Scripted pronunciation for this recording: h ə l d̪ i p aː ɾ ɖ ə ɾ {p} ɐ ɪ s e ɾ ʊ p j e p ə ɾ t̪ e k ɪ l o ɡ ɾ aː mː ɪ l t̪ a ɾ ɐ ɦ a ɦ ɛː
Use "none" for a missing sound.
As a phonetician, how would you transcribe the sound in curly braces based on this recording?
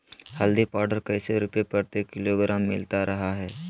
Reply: k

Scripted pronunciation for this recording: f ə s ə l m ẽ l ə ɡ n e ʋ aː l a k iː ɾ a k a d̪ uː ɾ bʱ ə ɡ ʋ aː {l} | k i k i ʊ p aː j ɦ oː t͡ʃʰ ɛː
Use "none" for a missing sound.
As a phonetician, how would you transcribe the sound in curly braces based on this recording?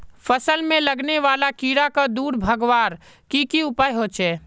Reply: ɾ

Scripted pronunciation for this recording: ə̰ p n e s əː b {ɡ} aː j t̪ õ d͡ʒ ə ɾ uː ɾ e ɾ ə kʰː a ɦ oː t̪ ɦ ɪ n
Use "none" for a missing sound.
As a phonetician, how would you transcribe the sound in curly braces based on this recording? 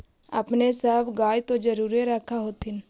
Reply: ɡ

